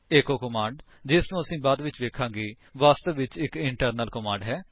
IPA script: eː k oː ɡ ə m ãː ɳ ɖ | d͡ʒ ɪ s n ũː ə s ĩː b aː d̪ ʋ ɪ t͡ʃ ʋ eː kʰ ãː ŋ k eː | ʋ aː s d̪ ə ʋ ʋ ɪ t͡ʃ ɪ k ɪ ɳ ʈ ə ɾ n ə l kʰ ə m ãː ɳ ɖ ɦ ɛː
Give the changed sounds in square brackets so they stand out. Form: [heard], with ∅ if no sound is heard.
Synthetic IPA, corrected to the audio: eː k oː [k] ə m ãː ɳ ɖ | d͡ʒ ɪ s n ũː ə s ĩː b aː d̪ ʋ ɪ t͡ʃ ʋ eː kʰ ãː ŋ [ɡ] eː | ʋ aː s [t̪] ə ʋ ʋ ɪ t͡ʃ ɪ k ɪ ɳ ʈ ə ɾ n ə l [k] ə m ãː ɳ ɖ ɦ ɛː

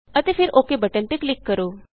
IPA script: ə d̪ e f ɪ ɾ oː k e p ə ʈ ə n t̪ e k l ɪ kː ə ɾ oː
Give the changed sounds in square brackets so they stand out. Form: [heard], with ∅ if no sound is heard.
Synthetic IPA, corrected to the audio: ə [t̪] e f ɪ ɾ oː k e [b] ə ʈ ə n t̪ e k l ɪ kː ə ɾ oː

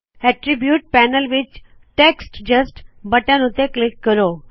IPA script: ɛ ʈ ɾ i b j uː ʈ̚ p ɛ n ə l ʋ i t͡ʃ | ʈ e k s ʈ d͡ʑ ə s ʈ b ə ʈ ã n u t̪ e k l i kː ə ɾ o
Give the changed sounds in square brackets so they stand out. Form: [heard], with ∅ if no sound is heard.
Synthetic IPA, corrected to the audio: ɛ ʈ ɾ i b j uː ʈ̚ p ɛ n ə l ʋ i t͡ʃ | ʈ e k s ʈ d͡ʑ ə s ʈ b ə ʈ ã n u t̪ e k l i kː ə ɾ o

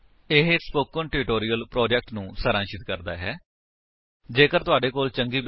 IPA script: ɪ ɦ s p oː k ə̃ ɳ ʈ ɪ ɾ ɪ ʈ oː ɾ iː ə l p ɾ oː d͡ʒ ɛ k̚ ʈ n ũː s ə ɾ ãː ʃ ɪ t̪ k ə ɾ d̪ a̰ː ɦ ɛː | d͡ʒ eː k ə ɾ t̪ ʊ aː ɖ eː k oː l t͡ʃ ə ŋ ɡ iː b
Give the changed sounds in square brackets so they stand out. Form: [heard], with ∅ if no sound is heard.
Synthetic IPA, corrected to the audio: ɪ ɦ s p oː k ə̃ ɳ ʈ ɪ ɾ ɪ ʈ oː ɾ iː ə l p ɾ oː d͡ʒ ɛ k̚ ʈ n ũː s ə ɾ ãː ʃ ɪ t̪ k ə ɾ d̪ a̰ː ɦ ɛː | d͡ʒ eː k ə ɾ t̪ ʊ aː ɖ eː k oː l t͡ʃ ə ŋ ɡ iː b

